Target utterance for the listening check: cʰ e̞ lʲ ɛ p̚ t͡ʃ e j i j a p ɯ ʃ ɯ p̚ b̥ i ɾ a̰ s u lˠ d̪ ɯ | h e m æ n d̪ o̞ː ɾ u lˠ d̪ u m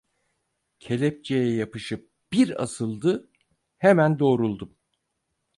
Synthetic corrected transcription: cʰ e̞ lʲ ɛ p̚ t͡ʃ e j ɛ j a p ɯ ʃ ɯ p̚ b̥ i ɾ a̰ s ɯ lˠ d̪ ɯ | h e m æ n d̪ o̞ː ɾ u lˠ d̪ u m